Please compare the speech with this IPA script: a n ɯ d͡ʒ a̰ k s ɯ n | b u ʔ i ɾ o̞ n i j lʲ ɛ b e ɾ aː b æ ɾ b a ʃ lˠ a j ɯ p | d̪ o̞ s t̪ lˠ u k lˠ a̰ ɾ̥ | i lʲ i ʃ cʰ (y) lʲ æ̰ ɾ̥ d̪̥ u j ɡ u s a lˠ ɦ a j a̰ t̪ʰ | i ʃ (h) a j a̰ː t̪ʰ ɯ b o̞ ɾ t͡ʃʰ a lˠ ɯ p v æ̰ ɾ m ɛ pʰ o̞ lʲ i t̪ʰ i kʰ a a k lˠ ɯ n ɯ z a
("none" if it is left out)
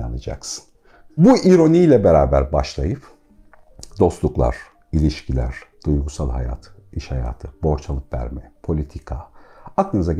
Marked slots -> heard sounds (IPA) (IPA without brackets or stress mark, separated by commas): i, h